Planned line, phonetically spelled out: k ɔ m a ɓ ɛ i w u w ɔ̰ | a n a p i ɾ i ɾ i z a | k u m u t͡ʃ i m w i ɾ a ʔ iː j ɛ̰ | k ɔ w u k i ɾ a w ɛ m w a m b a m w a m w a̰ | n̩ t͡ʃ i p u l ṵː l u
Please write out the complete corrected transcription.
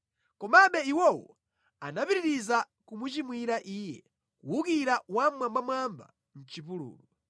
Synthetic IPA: k ɔ m a ɓ ɛ i w ɔ w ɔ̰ | a n a p i ɾ i ɾ i z a | k u m u t͡ʃ i m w i ɾ a ʔ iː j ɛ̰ | k u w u k i ɾ a w a m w a m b a m w a m b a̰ | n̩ t͡ʃ i p u l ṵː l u